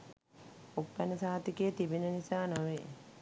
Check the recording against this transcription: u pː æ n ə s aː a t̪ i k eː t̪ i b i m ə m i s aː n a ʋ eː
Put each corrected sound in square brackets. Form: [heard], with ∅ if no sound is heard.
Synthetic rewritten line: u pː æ n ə s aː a t̪ i k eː t̪ i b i [n] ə [n] i s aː n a ʋ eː